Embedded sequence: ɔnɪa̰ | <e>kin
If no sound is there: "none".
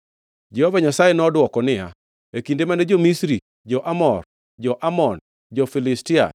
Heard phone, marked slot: e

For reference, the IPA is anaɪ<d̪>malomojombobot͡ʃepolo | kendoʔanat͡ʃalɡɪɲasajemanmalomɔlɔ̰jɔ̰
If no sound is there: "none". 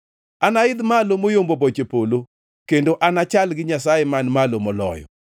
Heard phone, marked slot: d̪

